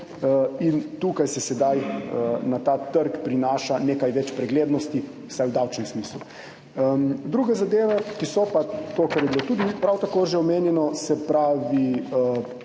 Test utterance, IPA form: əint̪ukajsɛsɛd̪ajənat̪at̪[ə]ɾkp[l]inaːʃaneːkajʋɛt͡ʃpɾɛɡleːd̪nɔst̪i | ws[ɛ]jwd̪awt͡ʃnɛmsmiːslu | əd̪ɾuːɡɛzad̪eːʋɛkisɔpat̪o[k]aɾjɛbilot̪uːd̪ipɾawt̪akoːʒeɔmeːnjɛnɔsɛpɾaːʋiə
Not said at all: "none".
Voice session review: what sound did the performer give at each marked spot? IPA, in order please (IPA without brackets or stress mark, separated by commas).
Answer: ə, ɾ, a, k